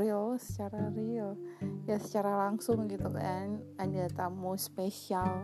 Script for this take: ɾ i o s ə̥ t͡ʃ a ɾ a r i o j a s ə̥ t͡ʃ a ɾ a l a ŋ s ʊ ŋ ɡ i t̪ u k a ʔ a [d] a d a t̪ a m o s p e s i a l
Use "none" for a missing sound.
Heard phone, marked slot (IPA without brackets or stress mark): n